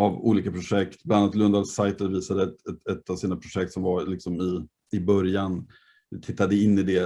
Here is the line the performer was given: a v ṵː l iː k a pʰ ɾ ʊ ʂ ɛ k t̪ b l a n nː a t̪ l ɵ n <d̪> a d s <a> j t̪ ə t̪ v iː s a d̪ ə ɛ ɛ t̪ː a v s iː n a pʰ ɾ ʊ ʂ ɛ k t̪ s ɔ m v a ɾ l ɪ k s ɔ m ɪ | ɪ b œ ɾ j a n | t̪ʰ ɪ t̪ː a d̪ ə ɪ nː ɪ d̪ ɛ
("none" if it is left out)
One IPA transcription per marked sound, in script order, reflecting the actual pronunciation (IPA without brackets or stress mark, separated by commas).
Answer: d̪, a